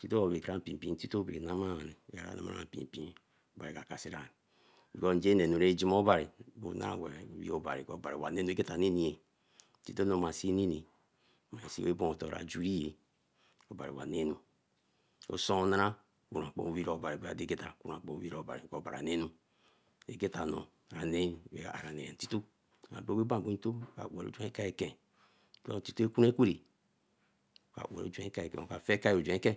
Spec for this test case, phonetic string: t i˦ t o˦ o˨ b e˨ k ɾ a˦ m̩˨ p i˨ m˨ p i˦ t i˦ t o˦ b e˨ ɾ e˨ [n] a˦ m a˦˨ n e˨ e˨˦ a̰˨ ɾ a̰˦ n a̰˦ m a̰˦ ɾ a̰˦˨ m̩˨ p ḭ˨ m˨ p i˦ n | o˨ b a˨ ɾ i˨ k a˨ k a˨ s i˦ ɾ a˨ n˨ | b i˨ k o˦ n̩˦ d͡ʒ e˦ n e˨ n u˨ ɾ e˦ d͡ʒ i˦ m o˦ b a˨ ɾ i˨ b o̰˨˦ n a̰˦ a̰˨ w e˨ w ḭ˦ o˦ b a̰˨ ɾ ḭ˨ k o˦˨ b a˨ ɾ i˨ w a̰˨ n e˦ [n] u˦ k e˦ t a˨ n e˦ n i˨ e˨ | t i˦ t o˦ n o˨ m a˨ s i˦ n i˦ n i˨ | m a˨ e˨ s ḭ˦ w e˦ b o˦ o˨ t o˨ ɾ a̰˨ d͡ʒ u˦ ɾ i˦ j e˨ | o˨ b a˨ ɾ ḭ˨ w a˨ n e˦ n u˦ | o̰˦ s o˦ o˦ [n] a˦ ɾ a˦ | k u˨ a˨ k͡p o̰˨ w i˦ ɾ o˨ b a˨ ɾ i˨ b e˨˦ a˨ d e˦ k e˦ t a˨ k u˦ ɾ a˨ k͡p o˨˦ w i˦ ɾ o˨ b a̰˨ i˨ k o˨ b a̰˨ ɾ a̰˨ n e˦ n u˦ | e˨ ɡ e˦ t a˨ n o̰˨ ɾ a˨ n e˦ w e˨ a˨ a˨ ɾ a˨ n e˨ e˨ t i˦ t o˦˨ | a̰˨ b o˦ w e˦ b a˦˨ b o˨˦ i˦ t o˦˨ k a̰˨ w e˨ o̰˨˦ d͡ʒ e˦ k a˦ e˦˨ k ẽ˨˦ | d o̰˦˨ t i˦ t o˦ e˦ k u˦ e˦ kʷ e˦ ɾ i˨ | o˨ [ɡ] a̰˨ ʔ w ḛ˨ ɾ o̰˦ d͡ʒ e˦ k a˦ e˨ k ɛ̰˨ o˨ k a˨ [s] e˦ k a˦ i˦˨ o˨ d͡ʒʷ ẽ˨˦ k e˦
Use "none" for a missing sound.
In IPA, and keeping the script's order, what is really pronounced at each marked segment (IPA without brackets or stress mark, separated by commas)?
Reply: n, n, n, k, f